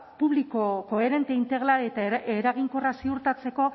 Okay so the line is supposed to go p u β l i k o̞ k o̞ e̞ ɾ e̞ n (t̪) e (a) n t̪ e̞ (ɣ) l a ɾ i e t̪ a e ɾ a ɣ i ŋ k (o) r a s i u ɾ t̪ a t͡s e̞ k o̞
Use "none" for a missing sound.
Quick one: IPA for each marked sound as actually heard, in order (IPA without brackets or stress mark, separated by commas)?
t̪, i, ɣ, o